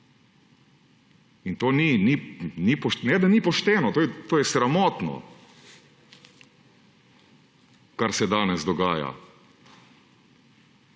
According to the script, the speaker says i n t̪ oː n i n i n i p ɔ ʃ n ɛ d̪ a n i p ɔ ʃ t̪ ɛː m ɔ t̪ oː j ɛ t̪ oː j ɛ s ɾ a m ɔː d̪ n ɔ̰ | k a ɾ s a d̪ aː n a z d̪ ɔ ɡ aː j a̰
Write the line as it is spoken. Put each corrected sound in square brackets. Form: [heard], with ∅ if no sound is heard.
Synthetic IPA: i n t̪ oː n i n i n i p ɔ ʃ n ɛ d̪ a n i p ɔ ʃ t̪ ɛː [n] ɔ t̪ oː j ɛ t̪ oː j ɛ s ɾ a m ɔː [t̪] n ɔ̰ | k a ɾ s [ɛ] d̪ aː n [ɛ] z d̪ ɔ ɡ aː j a̰